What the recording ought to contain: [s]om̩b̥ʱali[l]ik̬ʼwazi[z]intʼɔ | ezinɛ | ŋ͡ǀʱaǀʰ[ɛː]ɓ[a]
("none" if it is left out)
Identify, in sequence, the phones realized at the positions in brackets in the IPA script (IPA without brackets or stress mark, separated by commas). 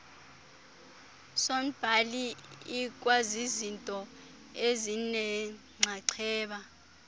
s, none, z, ɛː, a